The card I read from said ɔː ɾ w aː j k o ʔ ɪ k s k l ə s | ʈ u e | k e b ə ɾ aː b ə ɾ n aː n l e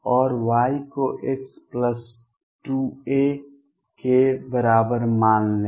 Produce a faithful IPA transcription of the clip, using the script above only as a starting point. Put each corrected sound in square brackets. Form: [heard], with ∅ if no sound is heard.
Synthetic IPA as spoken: ɔː ɾ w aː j k o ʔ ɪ k s [p] l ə s | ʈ u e | k e b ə ɾ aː b ə ɾ [m] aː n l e